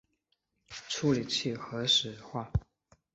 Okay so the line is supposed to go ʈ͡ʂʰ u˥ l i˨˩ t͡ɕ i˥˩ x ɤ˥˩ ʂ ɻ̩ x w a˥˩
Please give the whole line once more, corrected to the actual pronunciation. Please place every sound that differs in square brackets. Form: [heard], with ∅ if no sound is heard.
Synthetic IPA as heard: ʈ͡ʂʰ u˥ l i˨˩ [t͡ɕʰ] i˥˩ x [ɤ˧˥] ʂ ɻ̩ x w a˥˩